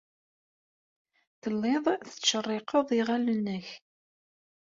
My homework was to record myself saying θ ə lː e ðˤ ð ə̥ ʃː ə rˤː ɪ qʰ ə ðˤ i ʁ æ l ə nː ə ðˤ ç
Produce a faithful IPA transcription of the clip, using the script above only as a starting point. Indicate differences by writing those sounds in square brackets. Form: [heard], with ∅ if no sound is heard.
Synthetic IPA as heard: θ ə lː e ðˤ [θ] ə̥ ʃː ə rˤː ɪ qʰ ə ðˤ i ʁ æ l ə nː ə [∅] ç